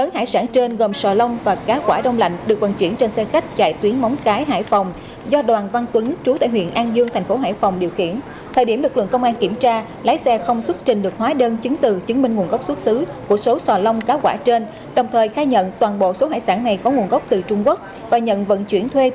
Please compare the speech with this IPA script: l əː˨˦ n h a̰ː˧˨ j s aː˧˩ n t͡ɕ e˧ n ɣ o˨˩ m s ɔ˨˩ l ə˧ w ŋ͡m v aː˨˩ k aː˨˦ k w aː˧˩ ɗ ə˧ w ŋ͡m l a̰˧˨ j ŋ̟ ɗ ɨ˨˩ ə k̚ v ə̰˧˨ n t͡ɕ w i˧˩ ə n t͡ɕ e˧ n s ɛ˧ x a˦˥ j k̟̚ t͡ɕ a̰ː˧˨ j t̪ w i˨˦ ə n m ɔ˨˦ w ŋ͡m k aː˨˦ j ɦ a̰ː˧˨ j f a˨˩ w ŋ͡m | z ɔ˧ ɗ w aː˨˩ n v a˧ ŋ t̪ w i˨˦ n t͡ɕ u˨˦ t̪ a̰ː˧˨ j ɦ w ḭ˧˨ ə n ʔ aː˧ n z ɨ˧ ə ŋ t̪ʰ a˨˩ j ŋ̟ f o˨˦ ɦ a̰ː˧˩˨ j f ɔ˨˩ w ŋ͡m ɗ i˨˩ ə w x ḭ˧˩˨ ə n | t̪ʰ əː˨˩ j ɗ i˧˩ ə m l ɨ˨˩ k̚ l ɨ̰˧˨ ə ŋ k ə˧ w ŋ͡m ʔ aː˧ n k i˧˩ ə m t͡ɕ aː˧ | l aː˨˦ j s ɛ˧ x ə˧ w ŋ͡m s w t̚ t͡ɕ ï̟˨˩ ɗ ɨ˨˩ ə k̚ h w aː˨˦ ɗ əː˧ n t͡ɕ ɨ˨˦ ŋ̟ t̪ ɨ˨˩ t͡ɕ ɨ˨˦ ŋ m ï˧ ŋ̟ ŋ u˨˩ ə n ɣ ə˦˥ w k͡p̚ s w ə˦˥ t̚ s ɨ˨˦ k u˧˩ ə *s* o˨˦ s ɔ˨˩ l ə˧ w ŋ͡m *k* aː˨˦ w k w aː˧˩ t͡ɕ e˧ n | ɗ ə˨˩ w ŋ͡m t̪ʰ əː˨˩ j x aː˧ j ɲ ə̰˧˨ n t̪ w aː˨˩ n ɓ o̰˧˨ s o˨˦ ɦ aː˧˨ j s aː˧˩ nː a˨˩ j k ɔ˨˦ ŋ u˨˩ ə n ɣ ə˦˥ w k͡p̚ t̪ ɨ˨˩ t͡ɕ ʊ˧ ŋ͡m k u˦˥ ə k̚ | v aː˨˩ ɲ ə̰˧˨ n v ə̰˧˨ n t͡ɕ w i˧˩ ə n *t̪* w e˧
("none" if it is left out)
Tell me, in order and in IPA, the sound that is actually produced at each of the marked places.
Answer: s, k, t̪ʰ

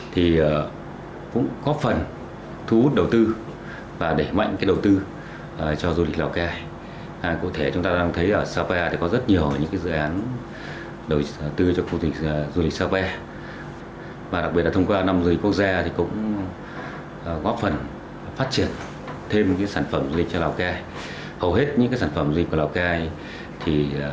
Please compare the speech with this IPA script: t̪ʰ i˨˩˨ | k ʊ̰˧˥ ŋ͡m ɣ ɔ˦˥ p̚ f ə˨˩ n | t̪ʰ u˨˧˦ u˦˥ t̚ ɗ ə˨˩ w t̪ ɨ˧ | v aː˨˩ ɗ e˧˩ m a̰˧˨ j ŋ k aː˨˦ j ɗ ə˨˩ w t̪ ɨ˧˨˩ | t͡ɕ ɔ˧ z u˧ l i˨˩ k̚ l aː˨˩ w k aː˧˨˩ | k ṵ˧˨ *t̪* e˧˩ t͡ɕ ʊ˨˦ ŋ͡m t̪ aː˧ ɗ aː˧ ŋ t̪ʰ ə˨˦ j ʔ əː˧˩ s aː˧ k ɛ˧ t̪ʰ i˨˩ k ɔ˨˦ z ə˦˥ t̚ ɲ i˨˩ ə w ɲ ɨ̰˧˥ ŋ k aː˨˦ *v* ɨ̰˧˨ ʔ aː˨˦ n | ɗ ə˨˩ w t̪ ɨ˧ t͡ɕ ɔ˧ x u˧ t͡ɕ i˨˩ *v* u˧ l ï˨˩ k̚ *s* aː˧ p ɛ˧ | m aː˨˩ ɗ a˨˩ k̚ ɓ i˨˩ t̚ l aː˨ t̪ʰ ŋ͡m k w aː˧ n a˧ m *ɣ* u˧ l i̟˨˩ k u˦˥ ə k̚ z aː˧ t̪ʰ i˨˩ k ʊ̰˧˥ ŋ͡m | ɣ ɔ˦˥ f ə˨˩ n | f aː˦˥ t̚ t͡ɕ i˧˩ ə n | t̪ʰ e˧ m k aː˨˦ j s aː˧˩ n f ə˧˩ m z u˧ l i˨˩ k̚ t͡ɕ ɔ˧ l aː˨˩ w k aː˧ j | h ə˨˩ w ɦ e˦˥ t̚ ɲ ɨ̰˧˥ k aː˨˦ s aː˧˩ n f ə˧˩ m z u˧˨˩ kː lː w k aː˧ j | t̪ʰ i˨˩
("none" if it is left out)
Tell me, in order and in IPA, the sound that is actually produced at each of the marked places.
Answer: t̪ʰ, z, z, s, z

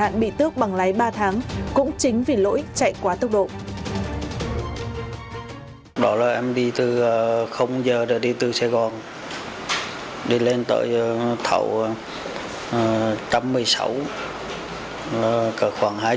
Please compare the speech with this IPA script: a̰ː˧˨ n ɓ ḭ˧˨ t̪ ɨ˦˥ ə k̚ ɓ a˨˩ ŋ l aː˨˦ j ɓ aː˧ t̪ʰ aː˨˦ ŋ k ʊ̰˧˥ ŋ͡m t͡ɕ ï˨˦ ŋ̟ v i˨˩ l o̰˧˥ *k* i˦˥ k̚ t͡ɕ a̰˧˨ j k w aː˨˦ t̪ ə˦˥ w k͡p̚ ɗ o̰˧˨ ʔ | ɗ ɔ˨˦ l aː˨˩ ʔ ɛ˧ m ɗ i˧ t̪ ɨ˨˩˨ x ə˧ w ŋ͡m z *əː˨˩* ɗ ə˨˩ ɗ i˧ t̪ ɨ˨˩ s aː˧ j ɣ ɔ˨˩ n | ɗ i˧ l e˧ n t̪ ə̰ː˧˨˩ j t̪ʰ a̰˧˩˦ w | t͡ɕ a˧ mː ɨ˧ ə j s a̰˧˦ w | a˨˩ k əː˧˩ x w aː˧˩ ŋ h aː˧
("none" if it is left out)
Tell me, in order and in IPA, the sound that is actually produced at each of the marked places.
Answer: ʔ, əː˨˩

